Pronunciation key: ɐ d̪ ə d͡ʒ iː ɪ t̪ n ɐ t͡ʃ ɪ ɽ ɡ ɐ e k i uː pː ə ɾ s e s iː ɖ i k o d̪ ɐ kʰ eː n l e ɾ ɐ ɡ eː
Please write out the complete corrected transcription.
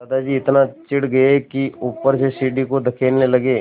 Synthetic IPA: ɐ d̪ a d͡ʒ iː ɪ t̪ n a t͡ʃ ɪ ɽ ɡ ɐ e k i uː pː ə ɾ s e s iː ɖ i k o d̪ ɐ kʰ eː n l e l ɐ ɡ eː